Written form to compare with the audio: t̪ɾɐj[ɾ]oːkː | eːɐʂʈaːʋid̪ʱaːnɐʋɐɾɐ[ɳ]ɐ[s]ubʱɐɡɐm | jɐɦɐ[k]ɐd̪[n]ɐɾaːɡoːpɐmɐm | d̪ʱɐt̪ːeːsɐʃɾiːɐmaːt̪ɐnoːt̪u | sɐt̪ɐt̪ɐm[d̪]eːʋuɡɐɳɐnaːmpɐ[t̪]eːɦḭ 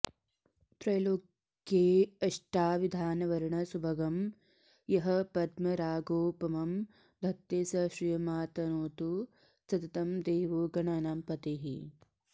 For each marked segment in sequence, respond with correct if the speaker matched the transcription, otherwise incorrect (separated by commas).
incorrect, correct, correct, incorrect, incorrect, correct, correct